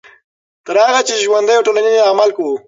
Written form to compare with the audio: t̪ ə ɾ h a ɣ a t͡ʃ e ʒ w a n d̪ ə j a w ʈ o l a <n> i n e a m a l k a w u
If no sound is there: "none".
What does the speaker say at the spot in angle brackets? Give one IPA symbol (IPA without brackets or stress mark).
n